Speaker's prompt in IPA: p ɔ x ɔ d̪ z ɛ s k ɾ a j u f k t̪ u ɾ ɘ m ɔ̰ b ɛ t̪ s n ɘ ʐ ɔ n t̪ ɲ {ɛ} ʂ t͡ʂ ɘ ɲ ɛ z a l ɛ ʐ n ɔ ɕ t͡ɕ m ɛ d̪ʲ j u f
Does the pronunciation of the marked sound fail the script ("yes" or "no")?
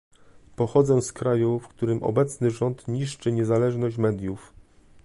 yes